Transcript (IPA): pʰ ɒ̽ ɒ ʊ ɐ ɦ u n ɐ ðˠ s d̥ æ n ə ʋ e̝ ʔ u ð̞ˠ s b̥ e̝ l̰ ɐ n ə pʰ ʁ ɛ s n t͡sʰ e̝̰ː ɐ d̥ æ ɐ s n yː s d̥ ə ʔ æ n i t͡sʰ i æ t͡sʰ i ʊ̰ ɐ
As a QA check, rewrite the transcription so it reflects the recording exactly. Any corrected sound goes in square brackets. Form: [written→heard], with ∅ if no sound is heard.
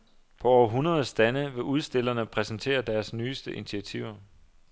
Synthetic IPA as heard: pʰ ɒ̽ ɒ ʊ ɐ ɦ u n ɐ ðˠ s d̥ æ n ə ʋ e̝ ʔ u ð̞ˠ s [b̥→d̥] e̝ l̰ ɐ n ə pʰ ʁ ɛ s n t͡sʰ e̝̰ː ɐ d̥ æ ɐ s n yː s d̥ ə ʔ [æ→i] n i t͡sʰ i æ t͡sʰ i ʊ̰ ɐ

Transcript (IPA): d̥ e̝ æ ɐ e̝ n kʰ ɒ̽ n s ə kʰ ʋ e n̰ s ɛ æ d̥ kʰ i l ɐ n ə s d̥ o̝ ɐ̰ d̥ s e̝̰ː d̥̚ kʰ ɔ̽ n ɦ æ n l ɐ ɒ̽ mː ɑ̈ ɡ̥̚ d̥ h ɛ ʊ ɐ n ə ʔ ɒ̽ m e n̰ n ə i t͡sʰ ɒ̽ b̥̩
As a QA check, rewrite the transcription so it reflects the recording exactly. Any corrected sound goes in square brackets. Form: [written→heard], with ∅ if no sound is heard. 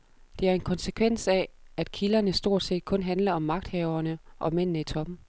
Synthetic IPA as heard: d̥ e̝ æ ɐ e̝ n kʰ ɒ̽ n s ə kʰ ʋ e n̰ s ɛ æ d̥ kʰ i l ɐ n ə s d̥ o̝ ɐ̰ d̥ s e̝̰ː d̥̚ kʰ ɔ̽ n ɦ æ n l ɐ ɒ̽ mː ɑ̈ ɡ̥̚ d̥ h ɛ ʊ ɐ n ə ʔ ɒ̽ m e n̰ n ə i t͡sʰ ɒ̽ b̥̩

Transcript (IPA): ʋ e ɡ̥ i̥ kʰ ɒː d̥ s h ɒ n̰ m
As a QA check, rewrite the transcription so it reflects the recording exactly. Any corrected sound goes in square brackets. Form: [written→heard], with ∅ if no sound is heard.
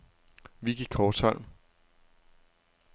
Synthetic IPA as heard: ʋ [e→i] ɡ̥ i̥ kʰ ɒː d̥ s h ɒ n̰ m

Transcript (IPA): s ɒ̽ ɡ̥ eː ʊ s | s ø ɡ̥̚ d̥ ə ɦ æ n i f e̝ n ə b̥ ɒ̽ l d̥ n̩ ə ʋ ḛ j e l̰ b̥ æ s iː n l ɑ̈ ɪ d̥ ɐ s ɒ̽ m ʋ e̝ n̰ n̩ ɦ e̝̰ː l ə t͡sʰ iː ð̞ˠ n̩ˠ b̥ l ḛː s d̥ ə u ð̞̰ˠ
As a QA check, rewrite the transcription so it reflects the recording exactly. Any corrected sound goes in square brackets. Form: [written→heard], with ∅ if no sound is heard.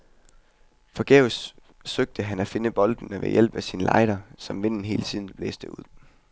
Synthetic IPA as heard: [s→f] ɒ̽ ɡ̥ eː ʊ s | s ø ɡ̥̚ d̥ ə ɦ æ n [i→æ] f e̝ n ə b̥ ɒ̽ l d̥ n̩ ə ʋ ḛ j e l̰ b̥ æ s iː n l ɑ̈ ɪ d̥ ɐ s ɒ̽ m ʋ e̝ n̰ n̩ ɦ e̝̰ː l ə t͡sʰ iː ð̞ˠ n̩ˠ b̥ l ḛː s d̥ ə u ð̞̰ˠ

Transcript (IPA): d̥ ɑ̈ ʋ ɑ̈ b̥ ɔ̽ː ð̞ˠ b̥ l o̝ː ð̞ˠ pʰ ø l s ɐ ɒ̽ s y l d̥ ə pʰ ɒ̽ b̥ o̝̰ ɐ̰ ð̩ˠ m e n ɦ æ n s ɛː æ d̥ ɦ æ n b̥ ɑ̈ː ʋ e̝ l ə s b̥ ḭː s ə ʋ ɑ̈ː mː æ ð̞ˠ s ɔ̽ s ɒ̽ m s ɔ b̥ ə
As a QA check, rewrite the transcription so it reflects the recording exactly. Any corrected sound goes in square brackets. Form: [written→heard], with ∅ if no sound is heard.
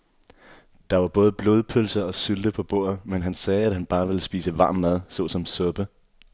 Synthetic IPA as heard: d̥ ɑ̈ ʋ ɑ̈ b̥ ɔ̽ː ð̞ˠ b̥ l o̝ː ð̞ˠ pʰ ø l s ɐ ɒ̽ s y l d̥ ə pʰ ɒ̽ b̥ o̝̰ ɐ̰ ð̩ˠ m e n ɦ æ n s ɛː æ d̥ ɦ æ n b̥ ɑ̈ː ʋ e̝ l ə s b̥ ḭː s ə ʋ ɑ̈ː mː æ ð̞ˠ s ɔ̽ s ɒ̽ m s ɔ b̥ ə

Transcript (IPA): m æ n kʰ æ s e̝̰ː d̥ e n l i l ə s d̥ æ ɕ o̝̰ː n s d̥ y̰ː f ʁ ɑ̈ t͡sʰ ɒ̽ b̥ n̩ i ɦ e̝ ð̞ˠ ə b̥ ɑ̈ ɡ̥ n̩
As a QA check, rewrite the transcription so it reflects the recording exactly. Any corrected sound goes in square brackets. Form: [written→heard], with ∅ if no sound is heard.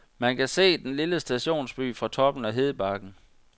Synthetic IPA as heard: m æ n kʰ æ s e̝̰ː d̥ e n l i l ə s d̥ æ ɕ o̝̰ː n s [d̥→b̥] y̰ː f ʁ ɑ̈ t͡sʰ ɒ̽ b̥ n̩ [i→æ] ɦ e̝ ð̞ˠ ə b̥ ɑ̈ ɡ̥ n̩

